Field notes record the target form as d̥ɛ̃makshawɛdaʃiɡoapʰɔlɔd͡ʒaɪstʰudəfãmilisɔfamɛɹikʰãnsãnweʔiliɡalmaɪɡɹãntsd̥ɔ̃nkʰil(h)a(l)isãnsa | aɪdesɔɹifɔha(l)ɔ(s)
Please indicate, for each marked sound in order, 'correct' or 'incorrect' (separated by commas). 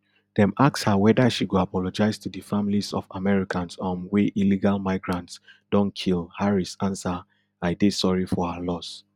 correct, incorrect, correct, correct